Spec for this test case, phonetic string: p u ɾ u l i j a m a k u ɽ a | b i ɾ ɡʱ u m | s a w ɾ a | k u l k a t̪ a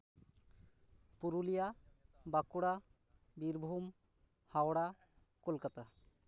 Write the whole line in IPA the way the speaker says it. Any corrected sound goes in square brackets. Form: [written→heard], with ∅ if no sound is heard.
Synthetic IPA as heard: p u ɾ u l i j a [m→b] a k u ɽ a | b i ɾ [ɡʱ→bʱ] u m | [s→h] a w [ɾ→ɽ] a | k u l k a t̪ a